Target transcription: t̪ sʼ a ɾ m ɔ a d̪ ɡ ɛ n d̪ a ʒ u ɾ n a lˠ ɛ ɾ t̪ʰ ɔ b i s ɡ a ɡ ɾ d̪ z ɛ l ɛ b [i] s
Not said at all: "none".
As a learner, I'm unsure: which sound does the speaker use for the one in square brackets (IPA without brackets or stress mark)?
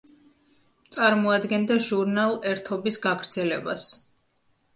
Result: a